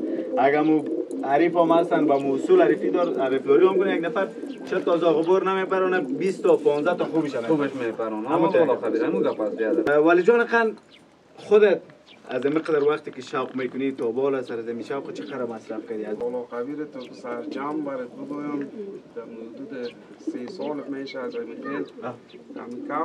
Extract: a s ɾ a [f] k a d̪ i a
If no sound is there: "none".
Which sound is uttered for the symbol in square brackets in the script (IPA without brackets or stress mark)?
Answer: f